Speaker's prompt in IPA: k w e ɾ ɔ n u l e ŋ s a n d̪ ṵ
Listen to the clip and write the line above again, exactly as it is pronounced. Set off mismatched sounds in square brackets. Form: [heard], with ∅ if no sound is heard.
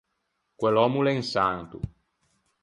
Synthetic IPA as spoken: k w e [l] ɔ [m] u l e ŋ s a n [t̪] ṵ